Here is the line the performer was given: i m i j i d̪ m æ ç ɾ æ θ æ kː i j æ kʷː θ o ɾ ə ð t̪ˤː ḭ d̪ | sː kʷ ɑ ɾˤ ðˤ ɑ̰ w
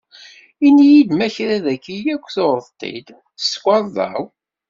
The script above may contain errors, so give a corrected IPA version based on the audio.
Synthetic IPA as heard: i n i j i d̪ m æ ç ɾ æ ð æ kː i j æ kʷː θ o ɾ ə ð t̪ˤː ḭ d̪ | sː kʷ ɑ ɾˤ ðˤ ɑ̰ w

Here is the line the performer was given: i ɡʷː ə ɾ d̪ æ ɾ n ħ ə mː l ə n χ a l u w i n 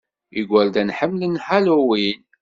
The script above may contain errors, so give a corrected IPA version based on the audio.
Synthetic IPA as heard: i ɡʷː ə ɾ d̪ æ n ħ ə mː l ə n ħ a l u w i n

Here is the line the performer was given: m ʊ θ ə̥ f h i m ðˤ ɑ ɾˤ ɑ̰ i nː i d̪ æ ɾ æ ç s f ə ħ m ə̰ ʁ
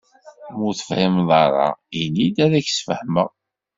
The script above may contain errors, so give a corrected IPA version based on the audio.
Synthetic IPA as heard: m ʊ θ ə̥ f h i m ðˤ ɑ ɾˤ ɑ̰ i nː i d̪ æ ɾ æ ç s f ə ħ m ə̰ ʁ

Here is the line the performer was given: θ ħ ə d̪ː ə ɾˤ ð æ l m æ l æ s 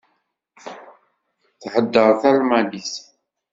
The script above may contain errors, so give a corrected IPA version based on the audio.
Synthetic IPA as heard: θ ħ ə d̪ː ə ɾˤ θ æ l m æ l i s

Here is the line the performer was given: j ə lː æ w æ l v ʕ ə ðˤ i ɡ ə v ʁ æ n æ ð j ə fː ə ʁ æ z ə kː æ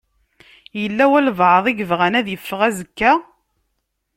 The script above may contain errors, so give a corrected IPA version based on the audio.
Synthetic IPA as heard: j ə lː æ w æ l v ʕ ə ðˤ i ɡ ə v ʁ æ n æ ð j ə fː ə ʁ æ z ə kː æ

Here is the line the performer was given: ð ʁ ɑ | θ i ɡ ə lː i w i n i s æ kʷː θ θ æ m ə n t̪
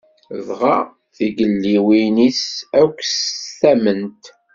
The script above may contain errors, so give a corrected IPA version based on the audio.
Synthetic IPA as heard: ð ʁ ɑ | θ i ɡ ə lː i w i n i s æ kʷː s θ æ m ə n t̪

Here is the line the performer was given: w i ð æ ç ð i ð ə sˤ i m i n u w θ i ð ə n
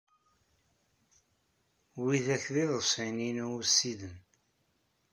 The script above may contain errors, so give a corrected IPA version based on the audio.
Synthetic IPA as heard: w i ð æ ç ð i ð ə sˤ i n i n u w s i ð ə n

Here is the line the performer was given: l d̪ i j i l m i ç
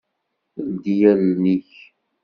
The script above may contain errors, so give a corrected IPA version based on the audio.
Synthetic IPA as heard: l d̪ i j æ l n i ç

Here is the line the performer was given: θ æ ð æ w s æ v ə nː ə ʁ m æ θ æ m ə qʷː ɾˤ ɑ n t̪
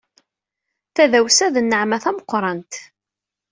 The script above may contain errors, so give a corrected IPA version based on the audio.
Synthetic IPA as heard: θ æ ð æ w s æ ð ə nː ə ʕ m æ θ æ m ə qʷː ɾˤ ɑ n t̪

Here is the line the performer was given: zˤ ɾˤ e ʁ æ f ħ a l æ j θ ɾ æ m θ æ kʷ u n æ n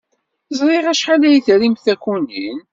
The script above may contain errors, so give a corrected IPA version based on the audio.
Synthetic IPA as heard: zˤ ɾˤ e ʁ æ ʃ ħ a l æ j θ ɾ i m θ æ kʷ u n i n

